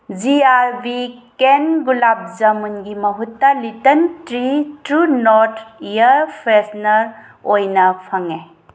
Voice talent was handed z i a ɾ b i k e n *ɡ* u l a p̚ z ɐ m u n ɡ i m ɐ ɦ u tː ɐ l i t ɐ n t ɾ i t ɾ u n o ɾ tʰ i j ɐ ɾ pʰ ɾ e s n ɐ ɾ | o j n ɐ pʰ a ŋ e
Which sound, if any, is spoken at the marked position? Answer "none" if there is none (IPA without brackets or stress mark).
ɡ